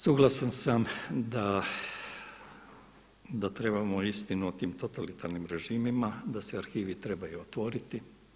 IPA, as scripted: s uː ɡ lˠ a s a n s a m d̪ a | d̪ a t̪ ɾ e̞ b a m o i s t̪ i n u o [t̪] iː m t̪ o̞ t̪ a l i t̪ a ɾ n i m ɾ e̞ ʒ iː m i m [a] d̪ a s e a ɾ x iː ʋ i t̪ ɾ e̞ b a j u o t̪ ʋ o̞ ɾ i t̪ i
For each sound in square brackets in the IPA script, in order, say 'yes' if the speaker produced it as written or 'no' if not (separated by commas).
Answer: yes, yes